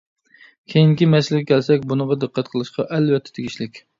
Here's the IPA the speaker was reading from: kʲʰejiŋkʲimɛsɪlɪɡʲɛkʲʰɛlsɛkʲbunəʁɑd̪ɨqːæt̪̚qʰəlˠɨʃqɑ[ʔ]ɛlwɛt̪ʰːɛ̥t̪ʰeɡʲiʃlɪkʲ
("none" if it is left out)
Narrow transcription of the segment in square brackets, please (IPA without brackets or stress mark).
ʔ